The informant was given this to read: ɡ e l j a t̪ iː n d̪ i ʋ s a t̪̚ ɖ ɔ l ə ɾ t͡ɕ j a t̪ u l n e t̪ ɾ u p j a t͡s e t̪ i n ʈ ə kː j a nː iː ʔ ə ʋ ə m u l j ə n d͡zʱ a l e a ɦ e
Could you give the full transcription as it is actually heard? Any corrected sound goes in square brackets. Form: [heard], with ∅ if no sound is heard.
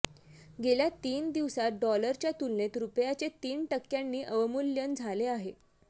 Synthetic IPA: ɡ e l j a t̪ iː n d̪ i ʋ s a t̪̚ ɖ ɔ l ə ɾ t͡ɕ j a t̪ u l n e t̪ ɾ u p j a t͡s e t̪ [iː] n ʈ ə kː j a nː iː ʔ ə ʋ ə m u l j ə n d͡zʱ a l e a ɦ e